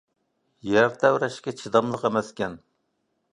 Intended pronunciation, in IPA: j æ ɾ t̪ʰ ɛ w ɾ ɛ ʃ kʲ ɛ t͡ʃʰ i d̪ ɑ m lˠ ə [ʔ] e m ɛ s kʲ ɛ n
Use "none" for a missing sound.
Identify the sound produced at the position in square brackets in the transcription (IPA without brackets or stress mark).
q